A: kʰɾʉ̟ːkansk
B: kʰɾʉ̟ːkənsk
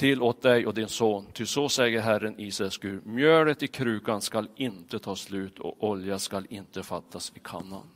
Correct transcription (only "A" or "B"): A